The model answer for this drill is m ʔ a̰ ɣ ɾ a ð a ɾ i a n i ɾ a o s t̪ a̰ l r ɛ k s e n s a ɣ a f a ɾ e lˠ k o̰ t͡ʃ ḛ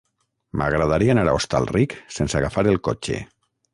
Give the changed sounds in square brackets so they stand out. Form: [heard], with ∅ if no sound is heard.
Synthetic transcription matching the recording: m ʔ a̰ ɣ ɾ a ð a ɾ i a n [a] ɾ a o s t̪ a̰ l r [i] k s e n s a ɣ a f a ɾ e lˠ k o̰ t͡ʃ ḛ